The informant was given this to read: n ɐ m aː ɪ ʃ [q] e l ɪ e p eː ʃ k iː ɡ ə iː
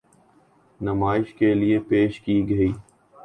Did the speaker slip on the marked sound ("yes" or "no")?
yes